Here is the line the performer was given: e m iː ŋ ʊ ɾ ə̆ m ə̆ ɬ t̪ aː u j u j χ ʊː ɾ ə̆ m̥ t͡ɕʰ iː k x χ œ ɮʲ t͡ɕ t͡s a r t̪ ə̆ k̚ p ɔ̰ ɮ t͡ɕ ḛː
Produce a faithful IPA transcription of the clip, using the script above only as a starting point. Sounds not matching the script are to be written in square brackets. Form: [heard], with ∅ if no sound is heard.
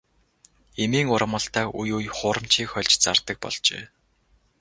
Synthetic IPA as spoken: e m iː ŋ ʊ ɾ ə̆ m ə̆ ɬ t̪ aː u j u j χ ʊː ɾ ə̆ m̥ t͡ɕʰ iː k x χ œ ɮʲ t͡ɕ t͡s a r t̪ ə̆ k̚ p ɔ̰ ɮ t͡ɕ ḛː